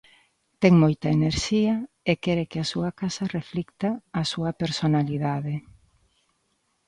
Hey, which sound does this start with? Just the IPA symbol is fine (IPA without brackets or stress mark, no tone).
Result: t̪